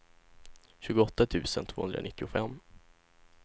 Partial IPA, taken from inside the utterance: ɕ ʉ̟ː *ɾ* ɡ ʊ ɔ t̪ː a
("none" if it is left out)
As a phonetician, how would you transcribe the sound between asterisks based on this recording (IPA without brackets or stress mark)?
none